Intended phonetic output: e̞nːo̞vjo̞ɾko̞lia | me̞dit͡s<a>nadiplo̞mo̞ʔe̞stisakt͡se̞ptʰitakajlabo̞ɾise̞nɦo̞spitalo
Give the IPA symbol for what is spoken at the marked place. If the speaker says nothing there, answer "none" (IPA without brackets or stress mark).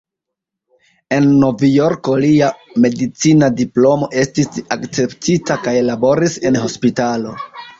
i